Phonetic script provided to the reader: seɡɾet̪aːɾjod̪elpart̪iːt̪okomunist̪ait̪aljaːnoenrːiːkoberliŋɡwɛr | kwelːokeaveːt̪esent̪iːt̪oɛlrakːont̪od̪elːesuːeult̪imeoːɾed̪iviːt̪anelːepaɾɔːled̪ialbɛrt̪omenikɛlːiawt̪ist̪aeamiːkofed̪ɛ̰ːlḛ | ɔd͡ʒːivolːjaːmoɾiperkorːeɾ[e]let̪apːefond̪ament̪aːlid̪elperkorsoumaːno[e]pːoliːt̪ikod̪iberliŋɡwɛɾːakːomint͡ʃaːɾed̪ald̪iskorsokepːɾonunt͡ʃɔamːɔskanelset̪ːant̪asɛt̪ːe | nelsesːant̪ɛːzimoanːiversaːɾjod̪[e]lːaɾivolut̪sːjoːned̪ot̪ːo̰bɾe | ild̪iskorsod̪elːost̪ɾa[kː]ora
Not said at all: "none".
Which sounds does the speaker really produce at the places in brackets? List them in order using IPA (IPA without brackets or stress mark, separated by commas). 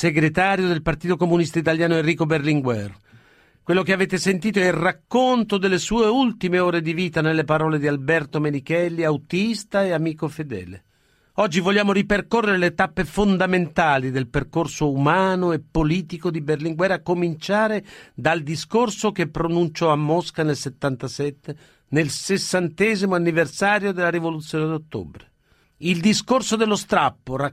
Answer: e, e, e, pː